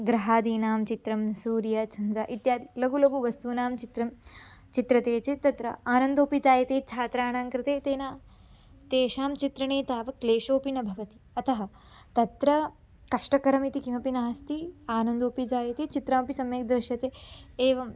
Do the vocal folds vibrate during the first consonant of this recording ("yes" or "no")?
yes